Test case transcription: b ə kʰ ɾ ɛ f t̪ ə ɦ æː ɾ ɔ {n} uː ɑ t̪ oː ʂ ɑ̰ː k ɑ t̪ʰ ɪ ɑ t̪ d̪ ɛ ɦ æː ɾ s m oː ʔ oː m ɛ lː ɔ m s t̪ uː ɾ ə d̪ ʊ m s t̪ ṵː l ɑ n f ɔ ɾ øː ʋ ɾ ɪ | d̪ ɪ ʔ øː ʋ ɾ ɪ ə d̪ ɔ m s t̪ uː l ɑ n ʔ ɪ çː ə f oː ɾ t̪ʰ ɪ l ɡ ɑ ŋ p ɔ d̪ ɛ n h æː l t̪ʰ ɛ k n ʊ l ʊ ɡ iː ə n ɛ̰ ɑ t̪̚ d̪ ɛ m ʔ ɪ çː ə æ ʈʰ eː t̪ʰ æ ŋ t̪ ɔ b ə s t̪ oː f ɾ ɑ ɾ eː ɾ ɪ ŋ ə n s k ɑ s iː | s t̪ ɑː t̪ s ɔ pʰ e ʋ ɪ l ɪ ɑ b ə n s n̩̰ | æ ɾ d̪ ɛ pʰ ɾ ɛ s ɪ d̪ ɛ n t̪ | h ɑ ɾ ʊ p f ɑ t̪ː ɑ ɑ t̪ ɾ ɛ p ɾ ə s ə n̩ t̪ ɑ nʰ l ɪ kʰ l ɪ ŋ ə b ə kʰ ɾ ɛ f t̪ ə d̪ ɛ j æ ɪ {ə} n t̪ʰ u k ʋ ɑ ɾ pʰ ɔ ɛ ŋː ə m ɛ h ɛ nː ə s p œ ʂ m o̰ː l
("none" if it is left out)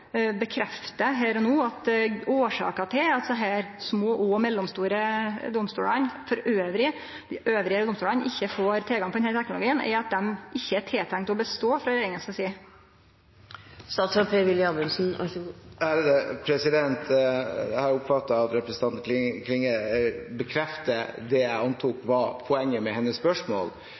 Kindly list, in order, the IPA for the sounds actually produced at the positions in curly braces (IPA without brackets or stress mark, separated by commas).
n, ɑ